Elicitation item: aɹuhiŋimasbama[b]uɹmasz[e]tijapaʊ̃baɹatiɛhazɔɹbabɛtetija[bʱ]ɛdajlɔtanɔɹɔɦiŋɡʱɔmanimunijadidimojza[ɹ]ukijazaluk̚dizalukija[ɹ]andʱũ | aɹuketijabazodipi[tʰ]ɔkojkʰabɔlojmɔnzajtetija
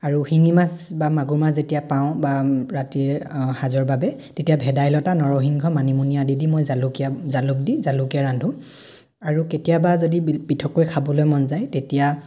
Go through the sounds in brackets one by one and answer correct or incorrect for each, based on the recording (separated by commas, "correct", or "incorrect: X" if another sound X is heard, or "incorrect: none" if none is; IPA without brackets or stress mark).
incorrect: ɡ, correct, correct, incorrect: l, correct, correct